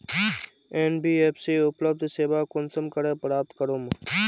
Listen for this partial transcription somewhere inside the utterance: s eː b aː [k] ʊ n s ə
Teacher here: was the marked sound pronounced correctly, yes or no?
yes